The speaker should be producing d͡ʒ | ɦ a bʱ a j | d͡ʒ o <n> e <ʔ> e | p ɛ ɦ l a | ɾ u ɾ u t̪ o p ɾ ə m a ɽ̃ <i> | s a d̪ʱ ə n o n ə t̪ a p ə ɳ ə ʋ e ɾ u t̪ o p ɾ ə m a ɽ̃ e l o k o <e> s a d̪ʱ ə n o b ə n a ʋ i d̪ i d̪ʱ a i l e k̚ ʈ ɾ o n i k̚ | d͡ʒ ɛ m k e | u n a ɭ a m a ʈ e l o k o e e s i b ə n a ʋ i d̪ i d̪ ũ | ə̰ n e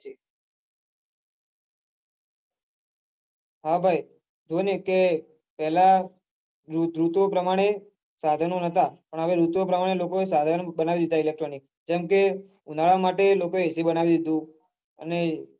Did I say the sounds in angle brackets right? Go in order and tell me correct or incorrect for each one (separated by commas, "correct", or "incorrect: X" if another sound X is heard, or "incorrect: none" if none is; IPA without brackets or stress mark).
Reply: correct, incorrect: k, incorrect: e, correct